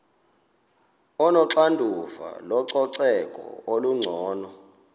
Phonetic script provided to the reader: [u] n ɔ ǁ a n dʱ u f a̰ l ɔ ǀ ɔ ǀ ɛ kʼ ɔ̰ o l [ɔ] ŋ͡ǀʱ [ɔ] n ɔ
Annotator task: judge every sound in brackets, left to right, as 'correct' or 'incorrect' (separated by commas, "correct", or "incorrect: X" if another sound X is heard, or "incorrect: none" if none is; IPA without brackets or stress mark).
incorrect: ɔ, incorrect: u, incorrect: ɔː